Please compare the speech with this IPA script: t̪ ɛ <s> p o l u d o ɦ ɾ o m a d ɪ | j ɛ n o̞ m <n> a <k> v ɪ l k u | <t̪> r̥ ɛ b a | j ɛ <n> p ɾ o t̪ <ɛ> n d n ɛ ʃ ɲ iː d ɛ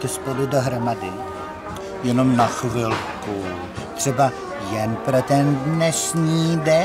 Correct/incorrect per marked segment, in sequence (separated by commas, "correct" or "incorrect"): correct, correct, incorrect, correct, correct, correct